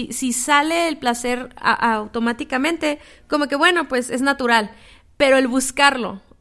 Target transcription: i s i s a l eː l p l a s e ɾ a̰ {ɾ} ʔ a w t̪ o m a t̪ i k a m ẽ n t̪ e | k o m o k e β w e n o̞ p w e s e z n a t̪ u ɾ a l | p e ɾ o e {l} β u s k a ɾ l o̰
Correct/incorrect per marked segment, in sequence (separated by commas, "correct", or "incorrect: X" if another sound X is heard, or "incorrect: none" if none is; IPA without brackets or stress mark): incorrect: none, correct